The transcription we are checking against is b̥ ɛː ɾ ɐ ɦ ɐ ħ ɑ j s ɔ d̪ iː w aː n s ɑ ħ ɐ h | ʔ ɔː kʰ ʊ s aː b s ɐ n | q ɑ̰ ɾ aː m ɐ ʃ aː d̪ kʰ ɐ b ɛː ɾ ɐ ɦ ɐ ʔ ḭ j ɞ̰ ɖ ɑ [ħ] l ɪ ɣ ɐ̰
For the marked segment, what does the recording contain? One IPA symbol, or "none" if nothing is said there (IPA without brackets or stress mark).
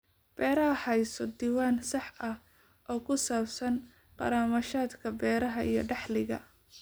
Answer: ħ